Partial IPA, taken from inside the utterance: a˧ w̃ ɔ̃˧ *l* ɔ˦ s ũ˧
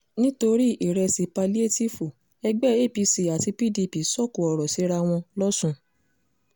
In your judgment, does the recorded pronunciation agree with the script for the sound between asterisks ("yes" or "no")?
yes